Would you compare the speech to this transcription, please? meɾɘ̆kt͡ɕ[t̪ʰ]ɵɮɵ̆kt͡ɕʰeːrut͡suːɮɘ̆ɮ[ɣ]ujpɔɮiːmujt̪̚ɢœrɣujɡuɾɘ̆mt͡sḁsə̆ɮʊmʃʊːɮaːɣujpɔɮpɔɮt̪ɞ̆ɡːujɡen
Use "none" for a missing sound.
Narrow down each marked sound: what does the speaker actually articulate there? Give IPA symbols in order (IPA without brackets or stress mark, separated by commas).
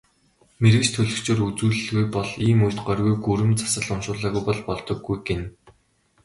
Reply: t̪ʰ, ɣ